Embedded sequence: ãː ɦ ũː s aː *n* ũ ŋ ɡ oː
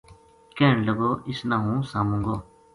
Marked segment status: incorrect: m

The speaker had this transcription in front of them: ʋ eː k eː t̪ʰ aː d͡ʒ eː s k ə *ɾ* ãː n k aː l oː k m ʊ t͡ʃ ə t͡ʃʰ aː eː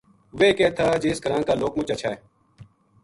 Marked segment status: correct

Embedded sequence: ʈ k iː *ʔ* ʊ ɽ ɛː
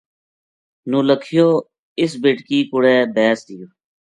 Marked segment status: incorrect: k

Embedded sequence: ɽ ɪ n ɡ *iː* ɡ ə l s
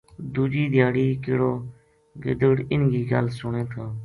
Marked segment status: correct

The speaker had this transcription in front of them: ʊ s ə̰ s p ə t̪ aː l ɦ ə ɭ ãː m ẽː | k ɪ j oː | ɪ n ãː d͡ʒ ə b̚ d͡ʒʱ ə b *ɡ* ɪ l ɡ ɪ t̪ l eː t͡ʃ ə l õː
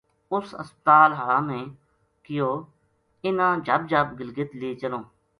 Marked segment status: correct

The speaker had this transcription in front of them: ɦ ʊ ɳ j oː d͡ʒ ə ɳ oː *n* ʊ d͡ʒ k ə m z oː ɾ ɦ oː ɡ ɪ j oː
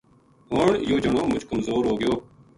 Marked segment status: incorrect: m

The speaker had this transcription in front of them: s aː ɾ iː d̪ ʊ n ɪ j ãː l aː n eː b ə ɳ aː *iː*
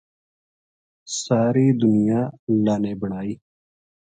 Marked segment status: correct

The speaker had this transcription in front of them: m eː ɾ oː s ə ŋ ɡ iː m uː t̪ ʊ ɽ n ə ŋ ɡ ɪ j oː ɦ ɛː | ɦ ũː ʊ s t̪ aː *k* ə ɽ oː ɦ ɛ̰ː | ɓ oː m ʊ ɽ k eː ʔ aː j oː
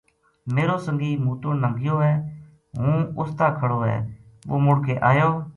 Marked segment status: incorrect: kʰ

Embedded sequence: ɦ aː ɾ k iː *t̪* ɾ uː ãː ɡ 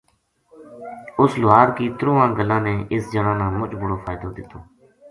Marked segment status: correct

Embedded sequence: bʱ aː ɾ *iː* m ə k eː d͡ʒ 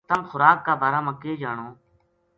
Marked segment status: incorrect: aː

